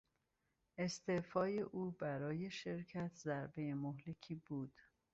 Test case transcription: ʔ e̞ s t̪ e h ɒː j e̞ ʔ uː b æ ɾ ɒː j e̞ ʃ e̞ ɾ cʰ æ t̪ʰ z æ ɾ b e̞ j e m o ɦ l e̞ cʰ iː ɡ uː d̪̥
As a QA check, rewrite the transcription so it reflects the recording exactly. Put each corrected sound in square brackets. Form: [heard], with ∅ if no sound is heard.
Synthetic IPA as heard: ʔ e̞ s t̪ e [f] ɒː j e̞ ʔ uː b æ ɾ ɒː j e̞ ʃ e̞ ɾ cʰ æ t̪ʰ z æ ɾ b e̞ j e m o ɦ l e̞ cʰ iː [b] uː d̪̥